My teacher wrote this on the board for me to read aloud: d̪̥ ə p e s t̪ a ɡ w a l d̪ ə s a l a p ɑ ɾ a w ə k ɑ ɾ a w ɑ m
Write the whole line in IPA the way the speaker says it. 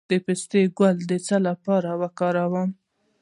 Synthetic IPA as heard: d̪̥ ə p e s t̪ e ɡ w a l d̪ ə t͡s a l a p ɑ ɾ a w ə k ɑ ɾ a w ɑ m